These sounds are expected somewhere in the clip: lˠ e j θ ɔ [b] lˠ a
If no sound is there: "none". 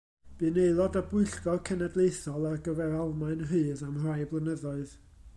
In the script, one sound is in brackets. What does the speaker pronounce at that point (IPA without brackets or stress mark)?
none